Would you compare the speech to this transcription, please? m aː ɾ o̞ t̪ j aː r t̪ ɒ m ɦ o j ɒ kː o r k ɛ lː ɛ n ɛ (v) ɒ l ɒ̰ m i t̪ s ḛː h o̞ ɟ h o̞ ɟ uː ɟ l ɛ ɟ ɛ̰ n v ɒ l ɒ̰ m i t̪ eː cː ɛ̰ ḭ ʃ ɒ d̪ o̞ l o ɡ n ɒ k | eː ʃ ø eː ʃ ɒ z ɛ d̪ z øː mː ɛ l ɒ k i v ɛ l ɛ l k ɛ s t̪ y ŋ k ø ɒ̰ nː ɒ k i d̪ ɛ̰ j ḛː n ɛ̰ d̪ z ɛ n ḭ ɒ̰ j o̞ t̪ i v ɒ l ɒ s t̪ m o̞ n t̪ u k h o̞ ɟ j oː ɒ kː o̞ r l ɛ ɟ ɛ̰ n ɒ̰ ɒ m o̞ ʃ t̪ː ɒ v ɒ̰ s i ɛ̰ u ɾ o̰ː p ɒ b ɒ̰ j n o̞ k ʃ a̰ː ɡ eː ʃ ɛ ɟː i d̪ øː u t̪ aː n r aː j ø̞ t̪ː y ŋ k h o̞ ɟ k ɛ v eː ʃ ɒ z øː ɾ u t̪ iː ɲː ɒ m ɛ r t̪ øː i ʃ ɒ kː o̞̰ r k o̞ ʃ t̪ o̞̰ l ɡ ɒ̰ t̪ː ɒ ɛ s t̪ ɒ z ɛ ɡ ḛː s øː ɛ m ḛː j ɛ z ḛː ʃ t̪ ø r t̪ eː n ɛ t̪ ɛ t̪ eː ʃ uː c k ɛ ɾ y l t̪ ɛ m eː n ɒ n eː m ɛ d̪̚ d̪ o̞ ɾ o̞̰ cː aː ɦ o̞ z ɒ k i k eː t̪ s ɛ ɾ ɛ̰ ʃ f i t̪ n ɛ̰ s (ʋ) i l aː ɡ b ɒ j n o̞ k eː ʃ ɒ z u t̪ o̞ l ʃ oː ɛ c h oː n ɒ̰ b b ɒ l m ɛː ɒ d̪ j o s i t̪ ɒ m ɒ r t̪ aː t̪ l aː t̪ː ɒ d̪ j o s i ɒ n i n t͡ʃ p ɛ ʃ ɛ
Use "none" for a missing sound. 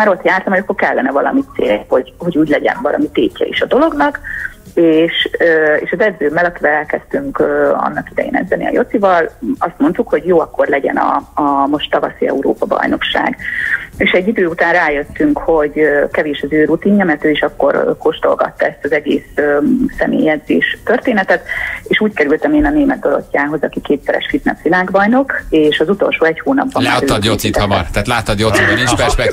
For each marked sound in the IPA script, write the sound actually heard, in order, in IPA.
v, ʋ

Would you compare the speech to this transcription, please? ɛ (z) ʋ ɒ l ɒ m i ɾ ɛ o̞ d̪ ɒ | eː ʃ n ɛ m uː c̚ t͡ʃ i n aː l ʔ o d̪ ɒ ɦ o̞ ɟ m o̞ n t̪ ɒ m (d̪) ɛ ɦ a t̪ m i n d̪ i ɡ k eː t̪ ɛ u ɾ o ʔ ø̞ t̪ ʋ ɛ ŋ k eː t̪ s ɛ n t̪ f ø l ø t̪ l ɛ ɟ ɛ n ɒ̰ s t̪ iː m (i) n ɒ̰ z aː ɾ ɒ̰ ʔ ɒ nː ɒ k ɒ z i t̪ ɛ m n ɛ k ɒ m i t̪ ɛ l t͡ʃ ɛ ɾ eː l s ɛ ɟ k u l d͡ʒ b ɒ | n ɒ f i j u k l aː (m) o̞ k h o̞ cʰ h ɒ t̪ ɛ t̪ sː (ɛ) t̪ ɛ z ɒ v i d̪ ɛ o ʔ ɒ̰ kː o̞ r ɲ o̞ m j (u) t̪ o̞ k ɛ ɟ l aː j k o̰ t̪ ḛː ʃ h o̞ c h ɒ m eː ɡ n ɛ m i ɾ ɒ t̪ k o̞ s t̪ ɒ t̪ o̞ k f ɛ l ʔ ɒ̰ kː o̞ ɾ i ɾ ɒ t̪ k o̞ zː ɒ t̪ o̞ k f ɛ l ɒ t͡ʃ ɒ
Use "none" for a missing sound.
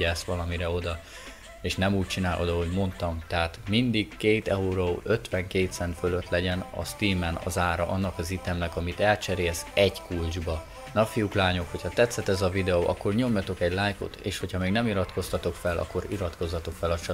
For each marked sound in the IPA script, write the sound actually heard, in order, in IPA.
s, t̪, ɛ, ɲ, ɛ, ɒ

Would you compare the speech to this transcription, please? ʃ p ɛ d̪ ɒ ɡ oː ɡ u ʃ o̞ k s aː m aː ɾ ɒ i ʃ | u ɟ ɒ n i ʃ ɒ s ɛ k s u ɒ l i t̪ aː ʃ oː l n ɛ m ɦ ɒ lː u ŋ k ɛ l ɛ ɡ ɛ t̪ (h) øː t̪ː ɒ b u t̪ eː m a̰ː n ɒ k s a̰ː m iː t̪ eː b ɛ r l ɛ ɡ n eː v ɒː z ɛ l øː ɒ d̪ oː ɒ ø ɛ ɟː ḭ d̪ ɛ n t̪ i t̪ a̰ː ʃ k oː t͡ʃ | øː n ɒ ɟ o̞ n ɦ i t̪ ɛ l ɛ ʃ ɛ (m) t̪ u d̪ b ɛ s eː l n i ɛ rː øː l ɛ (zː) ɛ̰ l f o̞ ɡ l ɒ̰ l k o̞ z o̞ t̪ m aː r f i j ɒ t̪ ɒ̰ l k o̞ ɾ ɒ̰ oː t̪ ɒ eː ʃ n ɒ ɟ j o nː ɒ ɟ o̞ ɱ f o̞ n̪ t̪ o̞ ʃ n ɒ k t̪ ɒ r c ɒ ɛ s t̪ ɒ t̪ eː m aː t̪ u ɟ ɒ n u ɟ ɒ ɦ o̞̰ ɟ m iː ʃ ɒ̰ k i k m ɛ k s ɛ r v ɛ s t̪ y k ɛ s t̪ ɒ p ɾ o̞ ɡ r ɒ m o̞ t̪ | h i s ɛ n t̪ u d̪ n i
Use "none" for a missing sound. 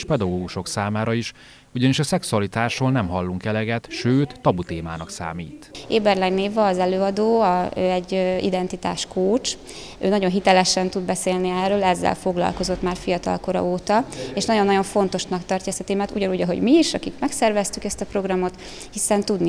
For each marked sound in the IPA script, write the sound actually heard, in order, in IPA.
ʃ, n, zː

